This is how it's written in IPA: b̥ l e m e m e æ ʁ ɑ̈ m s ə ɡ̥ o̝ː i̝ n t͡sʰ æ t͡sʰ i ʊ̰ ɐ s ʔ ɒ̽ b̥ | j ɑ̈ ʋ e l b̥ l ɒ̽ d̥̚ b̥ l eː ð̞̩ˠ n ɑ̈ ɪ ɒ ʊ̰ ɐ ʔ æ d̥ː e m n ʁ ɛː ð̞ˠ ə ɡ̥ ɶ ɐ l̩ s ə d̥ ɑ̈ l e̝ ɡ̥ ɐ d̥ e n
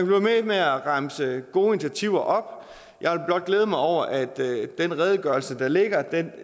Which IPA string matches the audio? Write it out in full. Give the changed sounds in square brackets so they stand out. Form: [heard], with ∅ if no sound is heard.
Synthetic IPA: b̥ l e m e m e æ ʁ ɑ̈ m s ə ɡ̥ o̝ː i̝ n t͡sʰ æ t͡sʰ i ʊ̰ ɐ [∅] ʔ ɒ̽ b̥ | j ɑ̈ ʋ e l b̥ l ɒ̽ d̥̚ [ɡ̥] l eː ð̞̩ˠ [m] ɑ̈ ɪ ɒ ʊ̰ ɐ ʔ æ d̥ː e [∅] n ʁ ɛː ð̞ˠ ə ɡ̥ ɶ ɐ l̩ s ə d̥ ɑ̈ l e̝ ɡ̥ ɐ d̥ e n